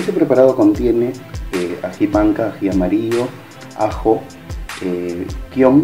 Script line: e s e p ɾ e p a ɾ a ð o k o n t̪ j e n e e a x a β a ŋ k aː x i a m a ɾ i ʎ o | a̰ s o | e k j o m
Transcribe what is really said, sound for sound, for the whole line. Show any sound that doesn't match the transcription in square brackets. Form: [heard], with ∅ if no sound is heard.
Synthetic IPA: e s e p ɾ e p a ɾ a ð o k o n t̪ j e n e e a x [i] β a ŋ k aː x i a m a ɾ i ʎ o | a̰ [x] o | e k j o m